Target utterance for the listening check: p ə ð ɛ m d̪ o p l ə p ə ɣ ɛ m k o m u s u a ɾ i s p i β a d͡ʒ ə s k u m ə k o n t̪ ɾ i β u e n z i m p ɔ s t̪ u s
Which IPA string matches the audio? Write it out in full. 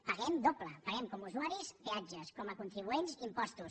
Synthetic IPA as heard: p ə ɣ ɛ m d̪ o p l ə p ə ɣ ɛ m k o m u z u a ɾ i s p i a d͡ʒ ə s k ɔ m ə k u n t̪ ɾ i β u e n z i m p ɔ s t̪ u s